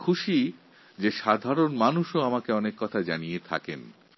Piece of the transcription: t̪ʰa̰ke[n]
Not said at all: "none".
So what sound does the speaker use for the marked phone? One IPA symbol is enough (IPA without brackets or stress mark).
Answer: n